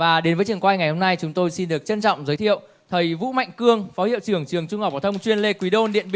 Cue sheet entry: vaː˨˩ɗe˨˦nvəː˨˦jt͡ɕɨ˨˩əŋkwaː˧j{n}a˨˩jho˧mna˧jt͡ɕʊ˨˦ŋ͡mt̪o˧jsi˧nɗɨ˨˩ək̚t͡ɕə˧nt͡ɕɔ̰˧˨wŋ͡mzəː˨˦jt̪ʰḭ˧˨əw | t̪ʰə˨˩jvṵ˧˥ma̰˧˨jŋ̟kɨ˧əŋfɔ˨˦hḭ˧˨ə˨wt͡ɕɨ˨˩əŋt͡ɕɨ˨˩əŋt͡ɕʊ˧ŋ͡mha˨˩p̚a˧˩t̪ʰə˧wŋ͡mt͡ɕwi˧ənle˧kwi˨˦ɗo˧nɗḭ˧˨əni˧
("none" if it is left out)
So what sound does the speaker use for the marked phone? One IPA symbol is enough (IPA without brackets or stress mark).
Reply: ŋ